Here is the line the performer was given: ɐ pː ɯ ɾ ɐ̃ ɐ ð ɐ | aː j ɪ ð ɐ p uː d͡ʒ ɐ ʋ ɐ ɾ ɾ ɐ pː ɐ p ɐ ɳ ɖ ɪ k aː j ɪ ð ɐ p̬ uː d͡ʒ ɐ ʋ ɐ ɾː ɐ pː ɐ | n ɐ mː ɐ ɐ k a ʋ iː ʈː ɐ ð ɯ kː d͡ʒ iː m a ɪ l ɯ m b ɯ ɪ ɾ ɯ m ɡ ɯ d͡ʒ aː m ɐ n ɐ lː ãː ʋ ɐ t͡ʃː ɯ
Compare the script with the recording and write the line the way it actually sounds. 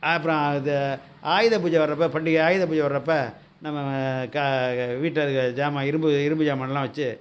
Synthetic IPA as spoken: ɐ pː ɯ ɾ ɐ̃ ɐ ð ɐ | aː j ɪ ð ɐ p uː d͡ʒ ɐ ʋ ɐ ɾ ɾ ɐ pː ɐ p ɐ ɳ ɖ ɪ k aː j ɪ ð ɐ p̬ uː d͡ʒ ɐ ʋ ɐ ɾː ɐ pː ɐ | n ɐ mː ɐ ɐ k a ʋ iː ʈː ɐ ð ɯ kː d͡ʒ aː m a ɪ ɾ ɯ m b ɯ ɪ ɾ ɯ m b ɯ d͡ʒ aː m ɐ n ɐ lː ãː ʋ ɐ t͡ʃː ɯ

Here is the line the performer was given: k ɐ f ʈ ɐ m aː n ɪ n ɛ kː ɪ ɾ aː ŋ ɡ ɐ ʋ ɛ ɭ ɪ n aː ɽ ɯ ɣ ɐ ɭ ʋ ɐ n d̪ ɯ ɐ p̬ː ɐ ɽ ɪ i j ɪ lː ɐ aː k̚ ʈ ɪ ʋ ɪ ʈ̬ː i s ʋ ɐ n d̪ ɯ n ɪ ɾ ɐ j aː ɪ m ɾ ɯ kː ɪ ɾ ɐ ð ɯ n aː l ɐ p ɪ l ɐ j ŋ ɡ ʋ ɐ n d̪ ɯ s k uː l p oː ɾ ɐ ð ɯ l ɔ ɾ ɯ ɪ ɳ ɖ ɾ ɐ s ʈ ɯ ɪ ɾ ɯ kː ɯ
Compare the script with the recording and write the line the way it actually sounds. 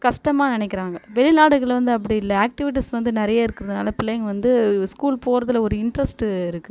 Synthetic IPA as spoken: k ɐ ʂ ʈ ɐ m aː n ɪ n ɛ kː ɪ ɾ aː ŋ ɡ ɐ ʋ ɛ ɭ ɪ n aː ɽ ɯ ɣ ɐ ɭ ʋ ɐ n d̪ ɯ ɐ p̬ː ɐ ɽ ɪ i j ɪ lː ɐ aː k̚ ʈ ɪ ʋ ɪ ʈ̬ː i s ʋ ɐ n d̪ ɯ n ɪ ɾ ɐ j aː ɪ ɾ ɯ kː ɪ ɾ ɐ ð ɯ n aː l ɐ p ɪ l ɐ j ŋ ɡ ʋ ɐ n d̪ ɯ s k uː l p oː ɾ ɐ ð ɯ l ɔ ɾ ɯ ɪ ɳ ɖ ɾ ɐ s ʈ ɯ ɪ ɾ ɯ kː ɯ

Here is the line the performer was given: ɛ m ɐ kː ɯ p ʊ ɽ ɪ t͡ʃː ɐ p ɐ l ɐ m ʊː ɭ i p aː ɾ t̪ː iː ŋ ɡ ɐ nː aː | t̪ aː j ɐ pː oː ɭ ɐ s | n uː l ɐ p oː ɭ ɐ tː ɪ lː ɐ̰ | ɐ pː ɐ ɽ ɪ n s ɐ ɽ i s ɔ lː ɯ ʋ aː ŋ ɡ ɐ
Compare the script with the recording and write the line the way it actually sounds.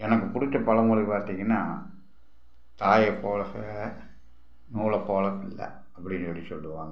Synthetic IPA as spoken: ɛ n ɐ kː ɯ p ʊ ɽ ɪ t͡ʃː ɐ p ɐ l ɐ m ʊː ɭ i p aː ɾ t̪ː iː ŋ ɡ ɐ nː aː | t̪ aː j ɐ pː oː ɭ ɐ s | n uː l ɐ p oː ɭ ɐ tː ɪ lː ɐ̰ | ɐ pː ɐ ɽ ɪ n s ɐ ɽ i s ɔ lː ɯ ʋ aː ŋ ɡ ɐ

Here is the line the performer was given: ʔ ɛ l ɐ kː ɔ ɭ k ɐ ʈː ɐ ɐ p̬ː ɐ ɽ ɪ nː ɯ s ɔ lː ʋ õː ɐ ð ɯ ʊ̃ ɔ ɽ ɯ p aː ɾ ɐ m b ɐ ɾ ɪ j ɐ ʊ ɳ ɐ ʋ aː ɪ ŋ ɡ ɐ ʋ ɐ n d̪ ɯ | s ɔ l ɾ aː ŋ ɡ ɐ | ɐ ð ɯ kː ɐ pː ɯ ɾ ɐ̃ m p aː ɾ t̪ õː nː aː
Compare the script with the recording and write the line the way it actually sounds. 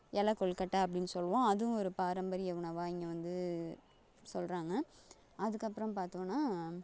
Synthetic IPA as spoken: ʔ ɛ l ɐ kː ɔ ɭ k ɐ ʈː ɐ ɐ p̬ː ɐ ɽ ɪ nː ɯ s ɔ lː ʋ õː ɐ ð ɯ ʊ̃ ɔ ɾ ɯ p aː ɾ ɐ m b ɐ ɾ ɪ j ɐ ʊ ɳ ɐ ʋ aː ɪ ŋ ɡ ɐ ʋ ɐ n d̪ ɯ | s ɔ l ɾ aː ŋ ɡ ɐ | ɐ ð ɯ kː ɐ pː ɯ ɾ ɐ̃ m p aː ɾ t̪ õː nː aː

